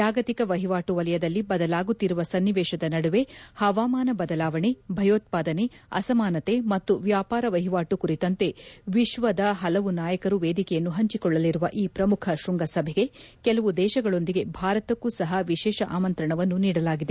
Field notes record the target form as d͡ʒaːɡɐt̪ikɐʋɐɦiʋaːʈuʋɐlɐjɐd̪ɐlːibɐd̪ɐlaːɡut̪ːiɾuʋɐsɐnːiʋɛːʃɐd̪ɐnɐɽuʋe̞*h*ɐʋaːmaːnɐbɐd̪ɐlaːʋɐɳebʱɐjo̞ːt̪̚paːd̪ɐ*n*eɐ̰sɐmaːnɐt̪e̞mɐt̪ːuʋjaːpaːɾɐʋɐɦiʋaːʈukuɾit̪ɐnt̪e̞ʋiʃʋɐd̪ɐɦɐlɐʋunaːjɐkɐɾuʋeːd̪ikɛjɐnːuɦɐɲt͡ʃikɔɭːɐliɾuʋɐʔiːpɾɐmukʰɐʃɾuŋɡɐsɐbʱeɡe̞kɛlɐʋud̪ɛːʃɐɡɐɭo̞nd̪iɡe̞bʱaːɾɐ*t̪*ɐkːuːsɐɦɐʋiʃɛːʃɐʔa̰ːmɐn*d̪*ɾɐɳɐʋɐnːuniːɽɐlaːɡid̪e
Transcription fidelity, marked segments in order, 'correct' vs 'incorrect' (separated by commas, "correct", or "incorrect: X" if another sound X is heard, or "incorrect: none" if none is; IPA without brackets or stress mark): correct, correct, correct, incorrect: t̪